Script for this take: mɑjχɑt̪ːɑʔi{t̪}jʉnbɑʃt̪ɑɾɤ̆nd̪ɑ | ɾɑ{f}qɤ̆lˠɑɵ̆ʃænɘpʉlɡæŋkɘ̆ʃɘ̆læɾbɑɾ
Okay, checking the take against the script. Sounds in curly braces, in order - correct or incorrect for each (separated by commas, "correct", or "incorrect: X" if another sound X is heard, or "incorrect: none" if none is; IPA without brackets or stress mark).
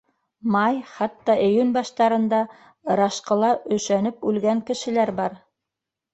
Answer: incorrect: none, incorrect: ʃ